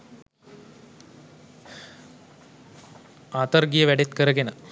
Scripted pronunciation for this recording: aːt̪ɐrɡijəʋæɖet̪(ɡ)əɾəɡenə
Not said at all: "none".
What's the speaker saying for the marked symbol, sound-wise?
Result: k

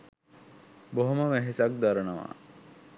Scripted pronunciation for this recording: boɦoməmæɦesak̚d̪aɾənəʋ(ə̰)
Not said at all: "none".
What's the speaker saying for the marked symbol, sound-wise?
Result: a̰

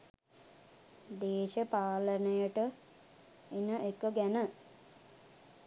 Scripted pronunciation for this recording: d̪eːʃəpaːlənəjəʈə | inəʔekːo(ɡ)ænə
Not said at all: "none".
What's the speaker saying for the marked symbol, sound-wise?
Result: ɡ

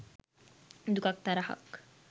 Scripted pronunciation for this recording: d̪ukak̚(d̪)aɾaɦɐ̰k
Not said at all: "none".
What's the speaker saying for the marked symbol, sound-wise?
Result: t̪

